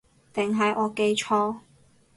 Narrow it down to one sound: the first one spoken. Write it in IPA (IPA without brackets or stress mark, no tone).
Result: t̪